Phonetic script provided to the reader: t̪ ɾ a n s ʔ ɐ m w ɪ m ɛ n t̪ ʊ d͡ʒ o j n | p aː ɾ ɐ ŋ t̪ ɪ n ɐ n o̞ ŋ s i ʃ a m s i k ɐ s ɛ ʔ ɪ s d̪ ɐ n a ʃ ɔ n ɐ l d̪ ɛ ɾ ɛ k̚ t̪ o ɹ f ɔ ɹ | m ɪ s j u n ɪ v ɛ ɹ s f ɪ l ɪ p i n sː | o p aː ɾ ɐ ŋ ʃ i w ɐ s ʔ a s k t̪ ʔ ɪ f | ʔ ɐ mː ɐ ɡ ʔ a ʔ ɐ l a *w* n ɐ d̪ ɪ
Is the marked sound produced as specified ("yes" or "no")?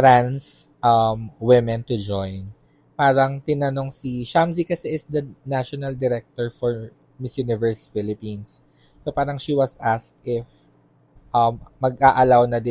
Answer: yes